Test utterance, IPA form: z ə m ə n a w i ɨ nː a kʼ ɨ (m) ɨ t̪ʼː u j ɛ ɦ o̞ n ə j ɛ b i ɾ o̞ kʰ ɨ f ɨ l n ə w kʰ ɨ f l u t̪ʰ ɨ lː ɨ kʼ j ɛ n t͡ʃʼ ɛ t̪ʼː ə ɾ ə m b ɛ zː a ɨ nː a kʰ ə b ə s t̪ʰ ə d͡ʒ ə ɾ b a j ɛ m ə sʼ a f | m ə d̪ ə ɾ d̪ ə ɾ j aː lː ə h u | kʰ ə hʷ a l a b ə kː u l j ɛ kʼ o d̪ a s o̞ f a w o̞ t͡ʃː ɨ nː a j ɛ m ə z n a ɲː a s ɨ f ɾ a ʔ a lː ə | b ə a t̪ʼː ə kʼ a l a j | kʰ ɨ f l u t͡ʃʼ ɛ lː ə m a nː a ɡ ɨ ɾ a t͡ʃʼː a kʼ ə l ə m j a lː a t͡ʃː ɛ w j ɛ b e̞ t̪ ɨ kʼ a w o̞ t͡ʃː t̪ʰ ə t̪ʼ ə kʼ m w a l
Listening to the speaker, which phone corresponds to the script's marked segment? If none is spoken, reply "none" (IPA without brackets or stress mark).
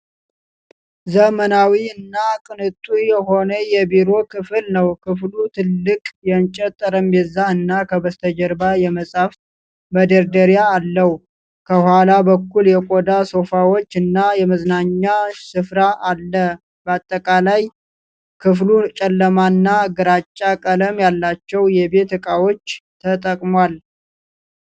n